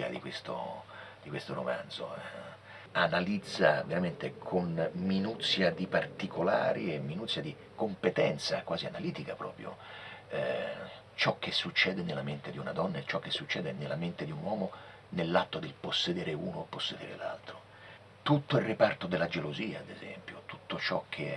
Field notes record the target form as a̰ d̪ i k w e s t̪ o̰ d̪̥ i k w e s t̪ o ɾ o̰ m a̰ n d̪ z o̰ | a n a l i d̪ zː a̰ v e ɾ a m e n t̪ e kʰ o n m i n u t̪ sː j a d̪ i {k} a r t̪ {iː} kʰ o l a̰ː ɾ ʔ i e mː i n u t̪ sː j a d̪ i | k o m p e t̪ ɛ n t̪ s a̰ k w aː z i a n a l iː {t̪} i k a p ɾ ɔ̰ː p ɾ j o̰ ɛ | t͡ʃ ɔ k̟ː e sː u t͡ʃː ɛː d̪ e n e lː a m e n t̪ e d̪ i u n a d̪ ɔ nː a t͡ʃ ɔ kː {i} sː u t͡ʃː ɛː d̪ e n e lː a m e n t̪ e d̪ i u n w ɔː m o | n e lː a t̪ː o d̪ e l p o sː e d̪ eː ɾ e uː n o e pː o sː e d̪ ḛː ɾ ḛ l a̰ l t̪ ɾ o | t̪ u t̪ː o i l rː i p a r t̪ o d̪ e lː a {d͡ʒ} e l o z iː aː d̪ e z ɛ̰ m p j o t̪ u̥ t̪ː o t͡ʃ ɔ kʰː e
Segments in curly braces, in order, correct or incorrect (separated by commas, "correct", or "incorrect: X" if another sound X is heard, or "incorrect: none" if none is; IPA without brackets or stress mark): incorrect: p, incorrect: i, correct, incorrect: e, correct